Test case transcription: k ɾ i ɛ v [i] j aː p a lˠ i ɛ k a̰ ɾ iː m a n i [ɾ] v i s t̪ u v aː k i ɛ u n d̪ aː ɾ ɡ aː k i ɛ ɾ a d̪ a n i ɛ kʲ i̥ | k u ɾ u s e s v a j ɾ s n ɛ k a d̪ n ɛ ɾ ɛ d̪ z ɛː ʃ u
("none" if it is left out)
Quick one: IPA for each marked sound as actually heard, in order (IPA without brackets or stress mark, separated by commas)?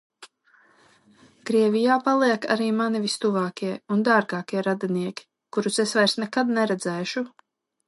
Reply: i, none